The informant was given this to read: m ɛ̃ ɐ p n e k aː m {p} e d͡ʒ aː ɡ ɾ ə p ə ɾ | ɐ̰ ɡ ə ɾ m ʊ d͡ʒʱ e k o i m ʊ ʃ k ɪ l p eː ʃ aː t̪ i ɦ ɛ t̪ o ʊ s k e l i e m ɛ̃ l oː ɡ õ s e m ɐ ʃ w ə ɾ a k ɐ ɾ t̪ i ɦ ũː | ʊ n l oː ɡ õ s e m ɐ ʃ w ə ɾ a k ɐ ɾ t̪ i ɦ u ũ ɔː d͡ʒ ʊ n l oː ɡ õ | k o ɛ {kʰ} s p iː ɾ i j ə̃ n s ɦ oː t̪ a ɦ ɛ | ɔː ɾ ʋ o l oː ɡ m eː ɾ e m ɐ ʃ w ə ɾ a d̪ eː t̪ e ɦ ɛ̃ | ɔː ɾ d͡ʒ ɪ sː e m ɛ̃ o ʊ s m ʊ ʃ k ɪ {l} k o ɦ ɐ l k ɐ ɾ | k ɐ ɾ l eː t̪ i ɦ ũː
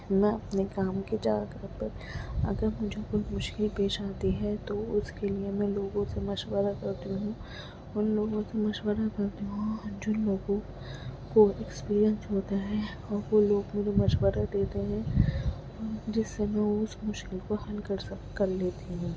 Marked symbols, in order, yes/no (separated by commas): no, no, yes